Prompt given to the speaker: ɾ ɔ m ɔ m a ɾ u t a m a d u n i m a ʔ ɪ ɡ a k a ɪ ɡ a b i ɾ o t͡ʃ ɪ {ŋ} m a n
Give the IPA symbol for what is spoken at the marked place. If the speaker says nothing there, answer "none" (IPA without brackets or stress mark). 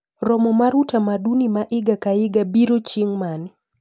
ŋ